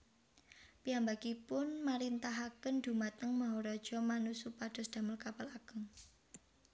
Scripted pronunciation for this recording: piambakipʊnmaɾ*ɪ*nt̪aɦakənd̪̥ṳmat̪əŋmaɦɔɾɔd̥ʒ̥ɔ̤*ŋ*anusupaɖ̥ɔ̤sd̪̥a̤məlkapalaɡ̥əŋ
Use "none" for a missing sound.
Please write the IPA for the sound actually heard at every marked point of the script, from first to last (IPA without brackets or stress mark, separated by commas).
i, m